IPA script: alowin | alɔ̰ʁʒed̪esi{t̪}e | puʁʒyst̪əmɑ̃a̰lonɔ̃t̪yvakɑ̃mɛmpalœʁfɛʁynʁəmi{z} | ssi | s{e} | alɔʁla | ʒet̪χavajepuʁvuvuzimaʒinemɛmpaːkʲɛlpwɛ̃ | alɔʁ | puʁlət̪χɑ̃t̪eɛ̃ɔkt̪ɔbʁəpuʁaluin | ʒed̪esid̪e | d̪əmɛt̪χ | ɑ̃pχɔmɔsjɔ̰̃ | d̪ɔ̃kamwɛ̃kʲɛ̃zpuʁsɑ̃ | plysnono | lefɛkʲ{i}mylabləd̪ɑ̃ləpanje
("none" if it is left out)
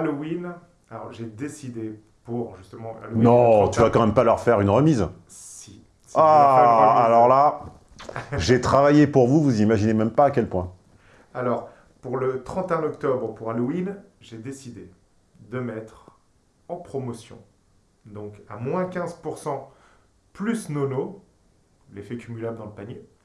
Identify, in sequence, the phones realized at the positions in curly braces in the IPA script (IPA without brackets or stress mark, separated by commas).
d̪, z, a, y